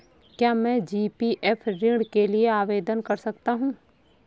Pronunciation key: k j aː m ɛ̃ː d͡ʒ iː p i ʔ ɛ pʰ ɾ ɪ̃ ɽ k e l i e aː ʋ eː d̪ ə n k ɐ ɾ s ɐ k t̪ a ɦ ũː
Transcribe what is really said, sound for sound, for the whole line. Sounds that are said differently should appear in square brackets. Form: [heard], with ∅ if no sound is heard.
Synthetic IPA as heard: k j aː m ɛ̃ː d͡ʒ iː p i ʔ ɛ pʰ ɾ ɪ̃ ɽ k e l i e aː ʋ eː d̪ ə n k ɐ ɾ s ɐ k t̪ a ɦ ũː